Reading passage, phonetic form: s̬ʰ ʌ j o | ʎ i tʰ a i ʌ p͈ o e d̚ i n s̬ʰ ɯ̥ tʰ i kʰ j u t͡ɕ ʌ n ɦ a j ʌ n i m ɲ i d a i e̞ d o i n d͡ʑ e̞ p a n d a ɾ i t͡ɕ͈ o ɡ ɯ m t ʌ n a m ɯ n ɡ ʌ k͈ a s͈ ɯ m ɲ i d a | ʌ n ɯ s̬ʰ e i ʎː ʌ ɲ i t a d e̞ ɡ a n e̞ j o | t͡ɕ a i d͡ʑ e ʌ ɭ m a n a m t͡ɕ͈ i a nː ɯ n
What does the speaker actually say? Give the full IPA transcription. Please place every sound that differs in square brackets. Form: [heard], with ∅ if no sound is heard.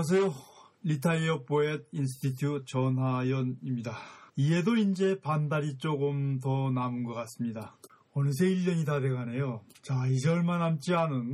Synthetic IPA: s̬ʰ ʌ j o | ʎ i tʰ a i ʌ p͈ o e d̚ i n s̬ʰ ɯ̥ tʰ i [tʰ] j u t͡ɕ ʌ n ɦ a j ʌ n i m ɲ i d a i e̞ d o i n d͡ʑ e̞ p a n d a ɾ i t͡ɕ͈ o ɡ ɯ m t ʌ n a m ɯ n ɡ ʌ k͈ a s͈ ɯ m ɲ i d a | ʌ n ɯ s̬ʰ e i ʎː ʌ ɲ i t a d e̞ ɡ a n e̞ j o | t͡ɕ a i d͡ʑ e ʌ ɭ m a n a m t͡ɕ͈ i a [n] ɯ n